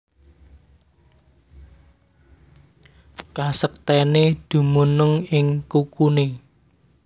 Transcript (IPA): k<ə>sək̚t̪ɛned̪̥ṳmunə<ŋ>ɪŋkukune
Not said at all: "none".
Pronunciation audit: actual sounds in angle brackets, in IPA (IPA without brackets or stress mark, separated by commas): a, ŋ